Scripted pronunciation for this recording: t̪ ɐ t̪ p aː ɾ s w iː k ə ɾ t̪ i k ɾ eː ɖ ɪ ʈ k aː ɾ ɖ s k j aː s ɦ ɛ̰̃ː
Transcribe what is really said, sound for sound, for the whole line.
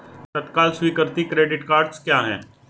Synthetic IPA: t̪ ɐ t̪ k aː l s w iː k ə ɾ t̪ i k ɾ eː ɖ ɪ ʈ k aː ɾ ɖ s k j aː ɦ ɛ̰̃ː